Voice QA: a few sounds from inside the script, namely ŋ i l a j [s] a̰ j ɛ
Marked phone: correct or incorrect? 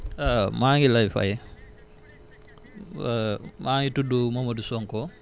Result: incorrect